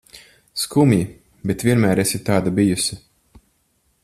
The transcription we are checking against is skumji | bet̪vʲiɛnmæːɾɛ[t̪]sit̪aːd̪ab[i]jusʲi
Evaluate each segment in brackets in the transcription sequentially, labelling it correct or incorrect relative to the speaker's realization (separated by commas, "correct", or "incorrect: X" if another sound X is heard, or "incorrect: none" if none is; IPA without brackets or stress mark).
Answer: incorrect: none, correct